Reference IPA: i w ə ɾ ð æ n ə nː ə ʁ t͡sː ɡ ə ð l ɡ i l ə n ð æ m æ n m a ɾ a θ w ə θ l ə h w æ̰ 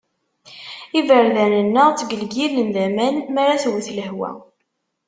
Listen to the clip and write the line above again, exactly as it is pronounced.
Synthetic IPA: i v ə ɾ ð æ n ə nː ə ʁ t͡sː ɡ ə l ɡ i l ə n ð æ m æ n m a ɾ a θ w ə θ l ə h w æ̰